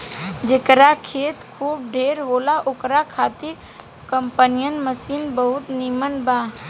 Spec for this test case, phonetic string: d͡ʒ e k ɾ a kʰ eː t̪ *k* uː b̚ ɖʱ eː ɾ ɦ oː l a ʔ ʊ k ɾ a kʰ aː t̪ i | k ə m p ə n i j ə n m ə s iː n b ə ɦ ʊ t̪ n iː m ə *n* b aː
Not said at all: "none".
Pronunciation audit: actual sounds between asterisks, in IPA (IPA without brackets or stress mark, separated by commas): kʰ, n